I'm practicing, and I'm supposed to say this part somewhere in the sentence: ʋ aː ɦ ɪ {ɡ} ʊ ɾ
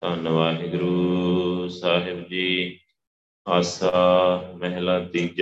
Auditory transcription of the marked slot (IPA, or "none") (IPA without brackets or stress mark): ɡ